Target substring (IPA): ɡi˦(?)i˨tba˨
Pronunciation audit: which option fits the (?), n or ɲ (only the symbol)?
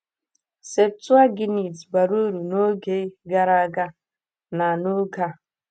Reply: n